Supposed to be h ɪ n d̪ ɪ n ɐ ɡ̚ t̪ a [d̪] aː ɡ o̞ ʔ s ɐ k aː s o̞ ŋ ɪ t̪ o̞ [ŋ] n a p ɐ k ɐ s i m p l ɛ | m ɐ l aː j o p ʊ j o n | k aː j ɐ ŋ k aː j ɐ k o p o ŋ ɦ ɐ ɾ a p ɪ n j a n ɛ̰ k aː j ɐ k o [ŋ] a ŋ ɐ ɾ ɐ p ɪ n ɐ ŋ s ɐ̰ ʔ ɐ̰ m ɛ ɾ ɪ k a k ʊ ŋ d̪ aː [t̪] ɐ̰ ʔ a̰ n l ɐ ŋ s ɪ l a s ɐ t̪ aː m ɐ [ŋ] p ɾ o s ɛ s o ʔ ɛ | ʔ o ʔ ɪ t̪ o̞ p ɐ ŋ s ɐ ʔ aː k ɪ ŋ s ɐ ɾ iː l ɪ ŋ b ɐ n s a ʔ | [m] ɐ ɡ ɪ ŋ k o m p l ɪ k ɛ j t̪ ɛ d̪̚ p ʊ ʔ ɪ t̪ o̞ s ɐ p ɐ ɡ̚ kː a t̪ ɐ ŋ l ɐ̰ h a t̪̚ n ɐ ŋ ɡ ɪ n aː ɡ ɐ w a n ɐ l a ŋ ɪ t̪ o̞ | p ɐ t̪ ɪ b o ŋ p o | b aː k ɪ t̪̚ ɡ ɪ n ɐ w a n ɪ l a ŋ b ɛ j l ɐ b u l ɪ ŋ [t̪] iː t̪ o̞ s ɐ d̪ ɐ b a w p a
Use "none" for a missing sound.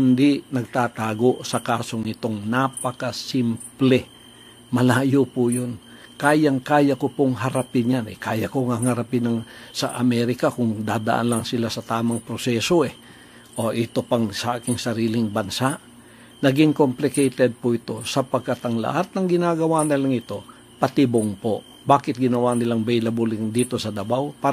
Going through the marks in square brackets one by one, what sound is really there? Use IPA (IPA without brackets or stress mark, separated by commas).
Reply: t̪, ŋ, ŋ, d̪, ŋ, n, d̪